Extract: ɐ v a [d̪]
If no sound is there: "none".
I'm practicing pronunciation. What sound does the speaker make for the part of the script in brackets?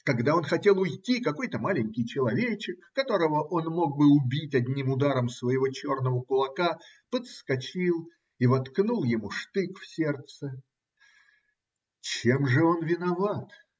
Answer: t̪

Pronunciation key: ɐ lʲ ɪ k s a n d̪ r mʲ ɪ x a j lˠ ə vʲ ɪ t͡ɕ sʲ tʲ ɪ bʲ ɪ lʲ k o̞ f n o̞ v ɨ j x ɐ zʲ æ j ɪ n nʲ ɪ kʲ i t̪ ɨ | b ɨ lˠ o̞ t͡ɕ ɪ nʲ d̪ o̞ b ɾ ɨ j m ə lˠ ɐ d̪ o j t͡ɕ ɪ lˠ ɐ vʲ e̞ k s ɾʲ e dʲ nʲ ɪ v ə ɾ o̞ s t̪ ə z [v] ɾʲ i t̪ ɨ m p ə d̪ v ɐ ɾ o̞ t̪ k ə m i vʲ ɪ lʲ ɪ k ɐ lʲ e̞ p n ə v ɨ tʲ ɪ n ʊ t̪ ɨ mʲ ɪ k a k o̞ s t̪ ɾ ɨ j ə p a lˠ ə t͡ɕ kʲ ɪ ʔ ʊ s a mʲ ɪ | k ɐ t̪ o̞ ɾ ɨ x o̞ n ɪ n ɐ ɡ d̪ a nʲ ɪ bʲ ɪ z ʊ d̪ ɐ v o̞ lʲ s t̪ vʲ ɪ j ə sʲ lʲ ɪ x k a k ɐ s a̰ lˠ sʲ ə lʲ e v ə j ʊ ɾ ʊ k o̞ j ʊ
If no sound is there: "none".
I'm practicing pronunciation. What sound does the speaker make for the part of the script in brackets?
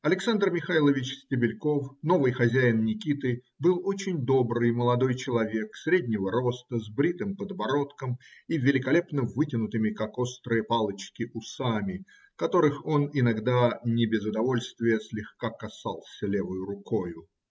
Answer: b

